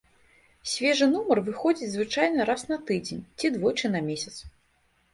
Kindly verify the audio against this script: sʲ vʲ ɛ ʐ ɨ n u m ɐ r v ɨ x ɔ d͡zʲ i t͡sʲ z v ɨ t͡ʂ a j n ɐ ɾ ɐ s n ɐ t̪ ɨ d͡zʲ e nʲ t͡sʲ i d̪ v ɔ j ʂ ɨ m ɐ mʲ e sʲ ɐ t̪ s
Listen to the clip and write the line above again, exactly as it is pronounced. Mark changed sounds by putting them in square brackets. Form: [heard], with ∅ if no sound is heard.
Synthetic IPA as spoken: sʲ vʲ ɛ ʐ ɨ n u m ɐ r v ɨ x ɔ d͡zʲ i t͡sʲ z v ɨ t͡ʂ a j n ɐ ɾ [a] s n ɐ t̪ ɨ d͡zʲ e nʲ t͡sʲ i d̪ v ɔ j [t͡ʂ] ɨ [n] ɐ mʲ e sʲ ɐ t̪ s